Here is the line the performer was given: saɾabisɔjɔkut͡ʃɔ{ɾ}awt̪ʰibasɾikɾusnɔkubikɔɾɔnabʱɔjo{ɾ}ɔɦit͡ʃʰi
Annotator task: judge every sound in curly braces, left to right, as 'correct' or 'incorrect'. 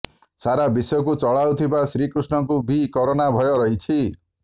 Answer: incorrect: ɭ, correct

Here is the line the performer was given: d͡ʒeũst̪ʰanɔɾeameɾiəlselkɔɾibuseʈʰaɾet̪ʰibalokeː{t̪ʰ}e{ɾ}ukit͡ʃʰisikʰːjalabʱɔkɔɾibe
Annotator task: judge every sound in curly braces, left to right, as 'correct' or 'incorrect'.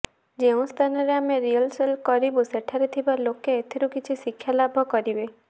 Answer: correct, correct

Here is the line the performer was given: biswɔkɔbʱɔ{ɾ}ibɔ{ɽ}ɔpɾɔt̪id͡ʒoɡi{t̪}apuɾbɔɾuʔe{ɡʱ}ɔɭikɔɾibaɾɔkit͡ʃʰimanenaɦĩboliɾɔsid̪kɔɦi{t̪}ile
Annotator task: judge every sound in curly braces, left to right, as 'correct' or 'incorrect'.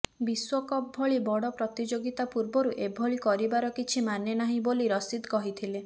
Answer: incorrect: ɭ, correct, correct, incorrect: bʱ, incorrect: t̪ʰ

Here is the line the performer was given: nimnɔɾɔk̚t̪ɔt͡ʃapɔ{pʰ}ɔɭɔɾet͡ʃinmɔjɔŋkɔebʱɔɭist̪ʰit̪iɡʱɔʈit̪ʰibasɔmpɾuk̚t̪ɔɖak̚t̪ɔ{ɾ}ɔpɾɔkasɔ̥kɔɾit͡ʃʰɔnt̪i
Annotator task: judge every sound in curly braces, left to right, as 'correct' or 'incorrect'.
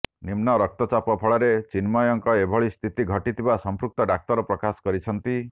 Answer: correct, correct

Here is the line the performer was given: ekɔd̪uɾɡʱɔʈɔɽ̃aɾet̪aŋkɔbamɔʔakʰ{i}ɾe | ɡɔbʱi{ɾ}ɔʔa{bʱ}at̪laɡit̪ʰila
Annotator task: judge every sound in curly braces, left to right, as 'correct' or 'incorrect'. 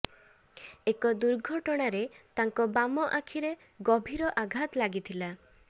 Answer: correct, correct, incorrect: ɡʱ

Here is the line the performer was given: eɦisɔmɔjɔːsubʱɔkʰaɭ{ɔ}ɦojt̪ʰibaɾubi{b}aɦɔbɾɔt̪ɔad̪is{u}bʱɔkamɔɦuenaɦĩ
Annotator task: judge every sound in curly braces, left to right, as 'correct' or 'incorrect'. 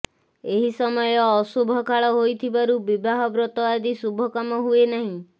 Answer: correct, correct, correct

